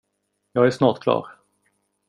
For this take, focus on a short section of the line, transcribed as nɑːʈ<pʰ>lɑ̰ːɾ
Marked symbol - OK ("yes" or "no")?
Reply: no